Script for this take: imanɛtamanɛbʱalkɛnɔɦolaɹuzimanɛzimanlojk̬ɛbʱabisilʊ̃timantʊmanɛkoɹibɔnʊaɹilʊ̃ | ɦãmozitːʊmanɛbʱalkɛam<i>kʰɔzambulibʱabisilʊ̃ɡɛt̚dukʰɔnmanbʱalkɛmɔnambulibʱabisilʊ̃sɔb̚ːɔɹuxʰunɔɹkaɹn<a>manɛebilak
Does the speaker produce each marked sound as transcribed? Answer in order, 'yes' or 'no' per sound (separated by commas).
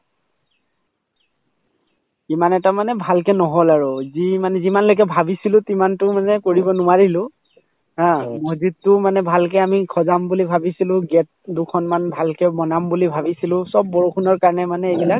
yes, no